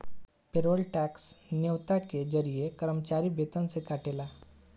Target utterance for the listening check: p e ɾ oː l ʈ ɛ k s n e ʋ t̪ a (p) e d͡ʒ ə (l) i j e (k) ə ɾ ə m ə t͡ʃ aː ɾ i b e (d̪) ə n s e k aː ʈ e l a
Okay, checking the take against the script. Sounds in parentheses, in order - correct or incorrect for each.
incorrect, incorrect, correct, incorrect

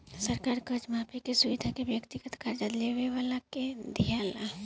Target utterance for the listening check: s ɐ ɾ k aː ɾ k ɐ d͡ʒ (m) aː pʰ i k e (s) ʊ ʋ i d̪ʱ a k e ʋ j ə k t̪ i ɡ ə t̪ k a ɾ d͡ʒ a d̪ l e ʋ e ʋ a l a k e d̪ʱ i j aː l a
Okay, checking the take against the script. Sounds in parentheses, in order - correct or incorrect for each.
correct, correct

